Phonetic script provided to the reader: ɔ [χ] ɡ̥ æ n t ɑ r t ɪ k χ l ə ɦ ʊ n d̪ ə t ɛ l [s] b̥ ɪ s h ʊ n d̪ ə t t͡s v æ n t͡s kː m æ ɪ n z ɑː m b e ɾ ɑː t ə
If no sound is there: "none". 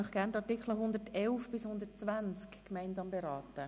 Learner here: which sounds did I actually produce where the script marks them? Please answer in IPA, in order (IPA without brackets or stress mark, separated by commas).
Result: χ, f